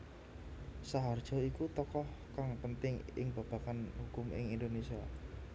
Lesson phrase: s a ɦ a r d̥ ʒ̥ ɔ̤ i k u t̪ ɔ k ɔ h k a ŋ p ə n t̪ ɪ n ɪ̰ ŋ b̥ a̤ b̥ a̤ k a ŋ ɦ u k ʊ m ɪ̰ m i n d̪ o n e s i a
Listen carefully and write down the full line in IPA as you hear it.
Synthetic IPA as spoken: s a ɦ a r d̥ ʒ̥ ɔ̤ i k u t̪ ɔ k ɔ h k a ŋ p ə n t̪ ɪ ŋ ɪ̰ ŋ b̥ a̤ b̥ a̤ k a n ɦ u k ʊ m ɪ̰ ŋ i n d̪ o n e s i a